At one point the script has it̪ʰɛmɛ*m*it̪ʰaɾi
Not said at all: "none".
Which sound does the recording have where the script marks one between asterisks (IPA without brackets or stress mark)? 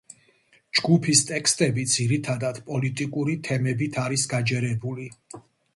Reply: b